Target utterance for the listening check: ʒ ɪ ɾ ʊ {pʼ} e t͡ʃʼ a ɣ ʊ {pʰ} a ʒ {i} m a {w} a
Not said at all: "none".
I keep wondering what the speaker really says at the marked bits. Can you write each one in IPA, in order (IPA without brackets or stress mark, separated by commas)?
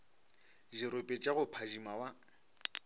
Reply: pʼ, pʰ, i, w